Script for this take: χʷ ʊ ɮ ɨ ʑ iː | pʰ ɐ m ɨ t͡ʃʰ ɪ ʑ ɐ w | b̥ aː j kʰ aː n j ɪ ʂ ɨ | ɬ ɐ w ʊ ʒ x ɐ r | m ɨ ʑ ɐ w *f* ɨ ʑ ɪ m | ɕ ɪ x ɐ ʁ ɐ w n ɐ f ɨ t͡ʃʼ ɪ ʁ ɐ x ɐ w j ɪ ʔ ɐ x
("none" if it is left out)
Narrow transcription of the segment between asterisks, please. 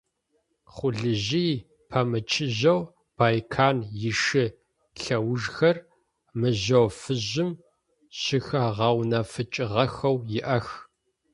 f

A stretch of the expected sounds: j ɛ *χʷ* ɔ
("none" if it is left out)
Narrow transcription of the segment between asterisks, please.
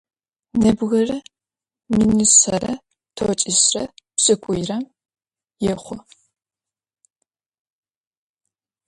χʷ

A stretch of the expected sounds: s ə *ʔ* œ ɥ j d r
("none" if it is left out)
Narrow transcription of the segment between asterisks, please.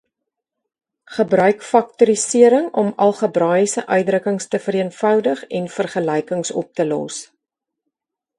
ʔ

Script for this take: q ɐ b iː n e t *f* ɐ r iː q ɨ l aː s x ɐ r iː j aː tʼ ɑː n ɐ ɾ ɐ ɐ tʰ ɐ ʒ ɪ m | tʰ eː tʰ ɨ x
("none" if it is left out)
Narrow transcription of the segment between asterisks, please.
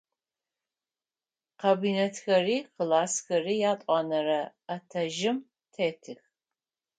x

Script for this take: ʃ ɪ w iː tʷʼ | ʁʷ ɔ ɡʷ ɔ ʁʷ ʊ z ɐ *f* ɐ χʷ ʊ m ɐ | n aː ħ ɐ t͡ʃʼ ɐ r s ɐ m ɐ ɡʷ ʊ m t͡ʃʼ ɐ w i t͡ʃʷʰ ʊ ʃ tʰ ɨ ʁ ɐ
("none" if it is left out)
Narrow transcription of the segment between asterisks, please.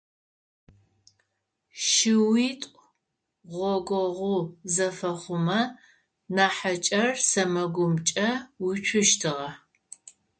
f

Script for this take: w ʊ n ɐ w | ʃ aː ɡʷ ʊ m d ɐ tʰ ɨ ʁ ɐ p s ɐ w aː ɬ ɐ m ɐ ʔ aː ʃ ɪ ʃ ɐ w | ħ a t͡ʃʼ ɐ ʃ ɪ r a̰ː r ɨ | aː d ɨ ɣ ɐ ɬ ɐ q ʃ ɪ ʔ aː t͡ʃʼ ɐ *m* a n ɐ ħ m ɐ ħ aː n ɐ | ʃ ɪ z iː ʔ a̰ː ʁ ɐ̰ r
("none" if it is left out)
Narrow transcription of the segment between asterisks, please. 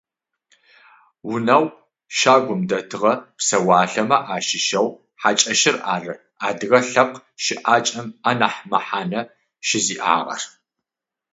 m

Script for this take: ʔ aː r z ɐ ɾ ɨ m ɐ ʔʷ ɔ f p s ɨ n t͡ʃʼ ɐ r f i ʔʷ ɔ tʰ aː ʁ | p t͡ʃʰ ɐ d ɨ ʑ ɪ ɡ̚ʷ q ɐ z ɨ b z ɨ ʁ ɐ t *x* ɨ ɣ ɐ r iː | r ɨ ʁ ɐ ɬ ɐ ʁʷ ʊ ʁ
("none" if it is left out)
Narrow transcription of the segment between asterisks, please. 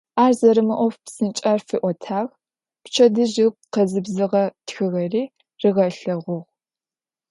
x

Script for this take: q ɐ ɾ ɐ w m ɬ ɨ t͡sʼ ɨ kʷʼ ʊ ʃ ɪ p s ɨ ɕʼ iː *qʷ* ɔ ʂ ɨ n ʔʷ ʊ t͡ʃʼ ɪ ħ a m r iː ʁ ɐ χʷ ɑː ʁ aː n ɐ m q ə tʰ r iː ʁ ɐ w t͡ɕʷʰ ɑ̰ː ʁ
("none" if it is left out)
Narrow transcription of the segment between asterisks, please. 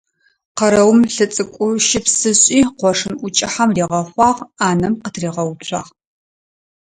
qʷ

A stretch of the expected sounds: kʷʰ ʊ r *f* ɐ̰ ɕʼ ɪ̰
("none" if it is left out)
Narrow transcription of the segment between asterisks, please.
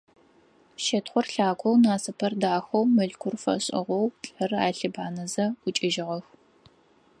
f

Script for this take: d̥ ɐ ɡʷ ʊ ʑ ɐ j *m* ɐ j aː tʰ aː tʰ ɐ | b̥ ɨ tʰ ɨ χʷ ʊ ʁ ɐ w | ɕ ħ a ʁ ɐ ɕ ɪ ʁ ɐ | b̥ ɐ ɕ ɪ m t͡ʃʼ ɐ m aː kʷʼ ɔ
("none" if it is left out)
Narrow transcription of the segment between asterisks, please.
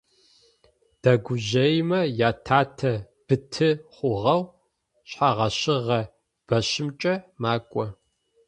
m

